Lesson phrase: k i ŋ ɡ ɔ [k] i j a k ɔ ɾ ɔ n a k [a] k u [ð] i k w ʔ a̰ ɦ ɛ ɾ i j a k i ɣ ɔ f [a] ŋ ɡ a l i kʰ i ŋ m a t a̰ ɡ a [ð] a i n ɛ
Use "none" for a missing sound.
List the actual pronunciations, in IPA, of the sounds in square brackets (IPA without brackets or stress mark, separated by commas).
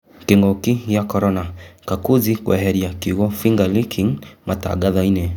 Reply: k, a, z, i, ð